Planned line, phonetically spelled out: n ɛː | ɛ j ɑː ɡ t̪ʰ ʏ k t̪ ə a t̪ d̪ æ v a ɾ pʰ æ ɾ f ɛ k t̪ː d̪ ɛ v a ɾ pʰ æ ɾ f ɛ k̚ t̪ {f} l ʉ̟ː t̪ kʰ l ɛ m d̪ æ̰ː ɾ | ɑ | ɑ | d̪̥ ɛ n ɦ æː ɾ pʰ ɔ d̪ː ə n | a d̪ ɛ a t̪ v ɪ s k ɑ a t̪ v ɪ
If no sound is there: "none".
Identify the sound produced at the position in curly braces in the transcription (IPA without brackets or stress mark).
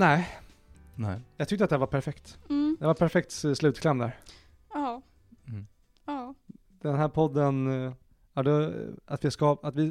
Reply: s